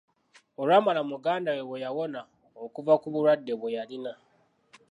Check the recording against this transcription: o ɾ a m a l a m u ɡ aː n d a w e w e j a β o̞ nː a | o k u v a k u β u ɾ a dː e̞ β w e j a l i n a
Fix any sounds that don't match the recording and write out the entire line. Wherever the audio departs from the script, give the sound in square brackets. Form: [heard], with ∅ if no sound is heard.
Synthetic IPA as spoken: o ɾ a m a l a m u ɡ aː n d a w e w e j a [w] o̞ [n] a | o k u v a k u β u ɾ a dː e̞ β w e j a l i n a